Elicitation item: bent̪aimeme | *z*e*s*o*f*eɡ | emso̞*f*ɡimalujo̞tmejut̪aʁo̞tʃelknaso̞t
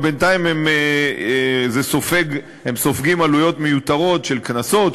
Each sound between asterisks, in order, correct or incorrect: correct, correct, correct, correct

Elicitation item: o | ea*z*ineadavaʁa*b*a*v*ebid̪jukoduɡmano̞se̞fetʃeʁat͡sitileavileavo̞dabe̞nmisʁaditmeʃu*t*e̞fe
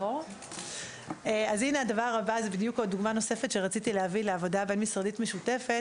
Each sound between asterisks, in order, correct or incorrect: correct, correct, incorrect: z, correct

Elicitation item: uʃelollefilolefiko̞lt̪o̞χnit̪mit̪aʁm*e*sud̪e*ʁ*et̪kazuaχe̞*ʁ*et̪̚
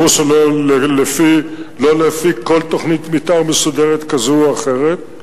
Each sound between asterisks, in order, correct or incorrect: correct, correct, correct

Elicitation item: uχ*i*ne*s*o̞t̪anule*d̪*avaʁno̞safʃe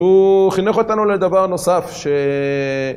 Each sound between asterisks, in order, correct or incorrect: correct, incorrect: χ, correct

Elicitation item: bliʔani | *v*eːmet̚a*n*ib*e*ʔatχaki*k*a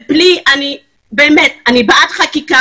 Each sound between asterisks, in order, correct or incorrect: incorrect: b, correct, incorrect: a, correct

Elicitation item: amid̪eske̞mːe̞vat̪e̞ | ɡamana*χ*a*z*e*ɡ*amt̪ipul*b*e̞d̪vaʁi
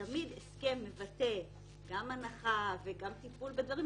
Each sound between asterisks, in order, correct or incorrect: correct, incorrect: v, correct, correct

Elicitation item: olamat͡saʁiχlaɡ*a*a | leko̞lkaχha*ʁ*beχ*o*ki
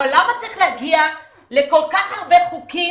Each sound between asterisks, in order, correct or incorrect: incorrect: i, correct, incorrect: u

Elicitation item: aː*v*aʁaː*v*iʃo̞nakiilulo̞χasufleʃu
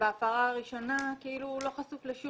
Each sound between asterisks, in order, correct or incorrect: incorrect: f, incorrect: ʁ

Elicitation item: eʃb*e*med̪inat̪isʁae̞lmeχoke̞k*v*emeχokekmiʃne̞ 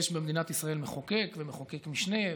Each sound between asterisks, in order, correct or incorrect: correct, correct

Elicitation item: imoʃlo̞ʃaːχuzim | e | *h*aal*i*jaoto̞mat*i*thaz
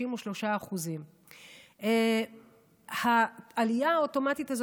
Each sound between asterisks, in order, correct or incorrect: correct, correct, correct

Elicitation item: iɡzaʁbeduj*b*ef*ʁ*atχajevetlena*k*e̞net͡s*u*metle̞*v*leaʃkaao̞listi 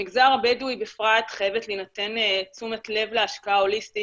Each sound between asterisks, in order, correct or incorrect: correct, correct, incorrect: t, correct, correct

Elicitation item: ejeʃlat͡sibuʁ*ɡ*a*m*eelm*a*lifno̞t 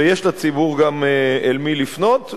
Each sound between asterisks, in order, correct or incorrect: correct, correct, incorrect: i

